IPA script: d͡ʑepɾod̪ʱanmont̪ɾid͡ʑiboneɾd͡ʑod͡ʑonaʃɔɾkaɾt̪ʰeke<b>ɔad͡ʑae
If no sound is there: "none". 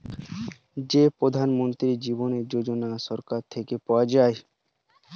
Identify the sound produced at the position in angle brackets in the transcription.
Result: p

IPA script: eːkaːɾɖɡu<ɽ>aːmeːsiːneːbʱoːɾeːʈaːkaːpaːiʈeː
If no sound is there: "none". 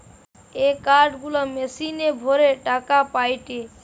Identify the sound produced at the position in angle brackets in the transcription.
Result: l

